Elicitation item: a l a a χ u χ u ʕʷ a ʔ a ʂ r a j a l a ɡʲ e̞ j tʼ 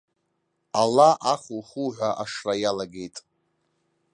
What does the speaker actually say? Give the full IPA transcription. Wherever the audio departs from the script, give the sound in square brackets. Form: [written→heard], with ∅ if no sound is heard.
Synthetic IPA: a l a a χ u χ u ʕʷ a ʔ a ʂ r a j a l a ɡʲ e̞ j tʼ